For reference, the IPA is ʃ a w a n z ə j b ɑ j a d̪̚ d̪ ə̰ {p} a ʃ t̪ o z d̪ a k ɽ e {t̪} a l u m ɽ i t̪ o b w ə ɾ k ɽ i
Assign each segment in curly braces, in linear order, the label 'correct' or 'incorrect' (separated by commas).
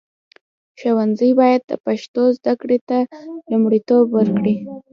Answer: correct, correct